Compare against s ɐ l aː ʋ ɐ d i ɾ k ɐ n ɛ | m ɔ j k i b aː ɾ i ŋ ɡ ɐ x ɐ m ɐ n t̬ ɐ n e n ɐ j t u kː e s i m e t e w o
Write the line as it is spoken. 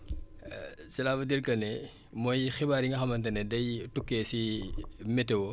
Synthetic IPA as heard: s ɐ l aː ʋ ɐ d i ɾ k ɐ n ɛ | m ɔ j x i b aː ɾ i ŋ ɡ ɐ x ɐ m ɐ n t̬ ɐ n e d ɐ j t u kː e s i m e t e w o

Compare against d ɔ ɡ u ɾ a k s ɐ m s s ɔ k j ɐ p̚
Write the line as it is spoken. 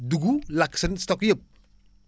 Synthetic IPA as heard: d u ɡ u l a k s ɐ n s t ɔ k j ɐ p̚

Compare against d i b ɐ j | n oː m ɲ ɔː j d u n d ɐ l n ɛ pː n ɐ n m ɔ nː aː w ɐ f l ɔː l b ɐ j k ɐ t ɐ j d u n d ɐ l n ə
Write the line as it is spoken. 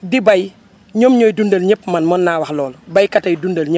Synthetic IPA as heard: d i b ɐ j | ɲ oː m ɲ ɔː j d u n d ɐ l ɲ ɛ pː m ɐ n m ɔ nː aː w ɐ x l ɔː l b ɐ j k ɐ t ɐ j d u n d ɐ l ɲ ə

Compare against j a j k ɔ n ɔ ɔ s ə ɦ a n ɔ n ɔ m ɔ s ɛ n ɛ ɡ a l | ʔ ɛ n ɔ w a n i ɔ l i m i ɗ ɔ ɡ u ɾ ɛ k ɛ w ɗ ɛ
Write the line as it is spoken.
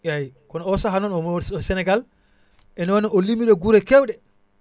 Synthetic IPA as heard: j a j k ɔ n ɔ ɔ s a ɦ a n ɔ n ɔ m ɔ s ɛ n ɛ ɡ a l | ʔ ɛ n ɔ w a n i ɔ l i m i ɗ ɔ ɡ u ɾ ɛ k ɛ w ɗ ɛ

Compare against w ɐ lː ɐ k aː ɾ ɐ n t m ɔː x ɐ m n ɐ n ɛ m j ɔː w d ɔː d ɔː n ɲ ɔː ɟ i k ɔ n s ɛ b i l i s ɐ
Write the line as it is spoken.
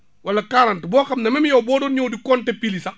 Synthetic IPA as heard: w ɐ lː ɐ k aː ɾ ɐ n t b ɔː x ɐ m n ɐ m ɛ m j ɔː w b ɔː d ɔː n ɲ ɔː d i k ɔ n t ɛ p i l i s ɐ

